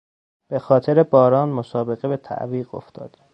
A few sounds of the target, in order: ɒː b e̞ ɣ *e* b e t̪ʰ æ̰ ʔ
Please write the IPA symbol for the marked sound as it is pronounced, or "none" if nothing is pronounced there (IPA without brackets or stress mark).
e